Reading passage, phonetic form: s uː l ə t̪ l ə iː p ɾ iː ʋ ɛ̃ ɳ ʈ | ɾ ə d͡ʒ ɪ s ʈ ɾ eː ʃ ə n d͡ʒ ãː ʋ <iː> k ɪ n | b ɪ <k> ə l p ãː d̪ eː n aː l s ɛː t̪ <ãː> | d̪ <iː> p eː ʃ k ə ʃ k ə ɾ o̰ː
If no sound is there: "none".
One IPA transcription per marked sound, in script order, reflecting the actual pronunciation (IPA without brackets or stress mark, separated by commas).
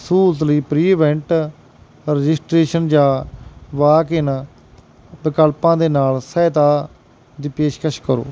aː, k, aː, iː